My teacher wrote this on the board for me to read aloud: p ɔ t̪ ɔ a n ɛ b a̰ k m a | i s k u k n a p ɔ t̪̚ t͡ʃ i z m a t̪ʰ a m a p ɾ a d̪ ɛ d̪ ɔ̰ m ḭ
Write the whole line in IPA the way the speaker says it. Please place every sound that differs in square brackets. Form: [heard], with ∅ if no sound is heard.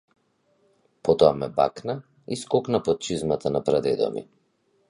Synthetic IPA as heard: p ɔ t̪ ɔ a [m] ɛ b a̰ k [n] a | i s k [ɔ] k n a p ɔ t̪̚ t͡ʃ i z m a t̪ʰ a [n] a p ɾ a d̪ ɛ d̪ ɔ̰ m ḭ